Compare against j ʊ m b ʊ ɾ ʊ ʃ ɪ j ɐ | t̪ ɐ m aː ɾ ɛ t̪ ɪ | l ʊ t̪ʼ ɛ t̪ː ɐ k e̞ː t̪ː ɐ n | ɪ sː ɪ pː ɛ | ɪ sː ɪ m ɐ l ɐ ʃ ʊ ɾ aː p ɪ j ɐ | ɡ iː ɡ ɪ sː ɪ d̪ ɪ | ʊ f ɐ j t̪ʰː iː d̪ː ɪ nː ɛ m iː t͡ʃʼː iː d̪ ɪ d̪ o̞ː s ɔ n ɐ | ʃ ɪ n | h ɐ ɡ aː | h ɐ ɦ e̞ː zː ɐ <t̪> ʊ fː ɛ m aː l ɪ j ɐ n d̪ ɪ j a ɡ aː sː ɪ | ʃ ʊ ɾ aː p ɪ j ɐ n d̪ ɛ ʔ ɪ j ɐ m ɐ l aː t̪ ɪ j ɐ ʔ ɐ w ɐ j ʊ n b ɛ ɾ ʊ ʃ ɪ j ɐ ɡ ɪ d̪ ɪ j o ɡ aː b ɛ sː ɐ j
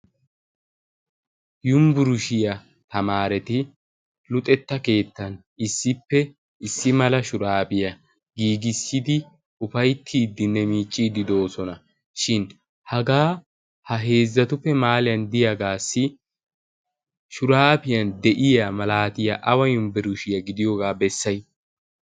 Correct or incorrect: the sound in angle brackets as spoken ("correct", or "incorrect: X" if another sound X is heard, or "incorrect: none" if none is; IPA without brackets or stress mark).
correct